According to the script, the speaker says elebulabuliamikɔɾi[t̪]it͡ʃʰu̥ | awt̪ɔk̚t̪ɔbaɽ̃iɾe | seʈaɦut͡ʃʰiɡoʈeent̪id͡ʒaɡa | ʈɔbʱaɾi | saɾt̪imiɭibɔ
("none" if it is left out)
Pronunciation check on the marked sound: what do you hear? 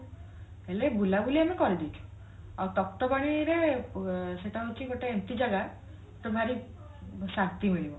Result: d̪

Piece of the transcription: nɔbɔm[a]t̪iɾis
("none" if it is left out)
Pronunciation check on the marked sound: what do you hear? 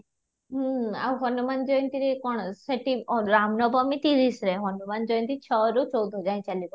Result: i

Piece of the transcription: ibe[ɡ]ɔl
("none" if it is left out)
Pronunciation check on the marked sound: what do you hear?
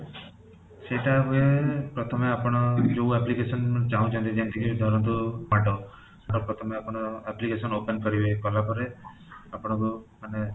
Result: k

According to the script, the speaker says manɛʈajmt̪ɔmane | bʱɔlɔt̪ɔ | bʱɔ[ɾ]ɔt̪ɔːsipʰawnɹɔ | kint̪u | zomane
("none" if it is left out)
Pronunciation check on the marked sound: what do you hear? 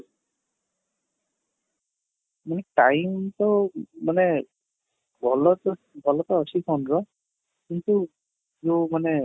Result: l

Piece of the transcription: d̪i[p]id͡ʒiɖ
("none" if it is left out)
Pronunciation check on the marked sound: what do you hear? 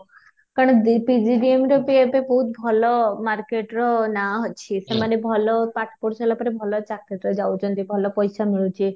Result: p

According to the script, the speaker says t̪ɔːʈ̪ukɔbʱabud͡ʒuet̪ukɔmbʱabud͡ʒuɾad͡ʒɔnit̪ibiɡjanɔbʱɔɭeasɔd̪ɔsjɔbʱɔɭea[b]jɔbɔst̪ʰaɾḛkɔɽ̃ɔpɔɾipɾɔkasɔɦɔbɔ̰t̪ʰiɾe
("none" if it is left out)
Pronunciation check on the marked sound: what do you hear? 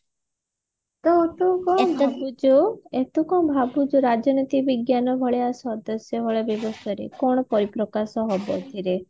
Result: b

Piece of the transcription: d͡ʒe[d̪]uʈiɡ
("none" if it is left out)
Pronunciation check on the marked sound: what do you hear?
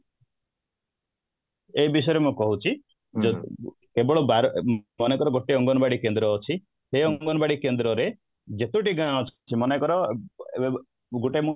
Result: t̪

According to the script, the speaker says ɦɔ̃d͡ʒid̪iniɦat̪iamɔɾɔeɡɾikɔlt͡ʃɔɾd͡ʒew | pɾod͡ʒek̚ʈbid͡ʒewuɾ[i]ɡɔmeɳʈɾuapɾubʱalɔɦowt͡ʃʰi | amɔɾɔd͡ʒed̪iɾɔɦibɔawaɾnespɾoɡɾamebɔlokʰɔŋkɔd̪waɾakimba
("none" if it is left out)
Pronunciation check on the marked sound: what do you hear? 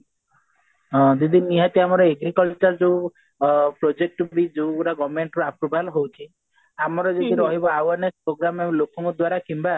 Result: a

